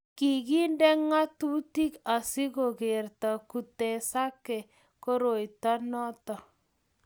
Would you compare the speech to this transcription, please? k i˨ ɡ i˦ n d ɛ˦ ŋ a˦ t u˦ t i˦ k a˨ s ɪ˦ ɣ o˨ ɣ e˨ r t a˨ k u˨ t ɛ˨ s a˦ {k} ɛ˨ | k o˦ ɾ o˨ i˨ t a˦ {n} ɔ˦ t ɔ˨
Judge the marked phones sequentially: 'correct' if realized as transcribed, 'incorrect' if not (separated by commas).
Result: correct, correct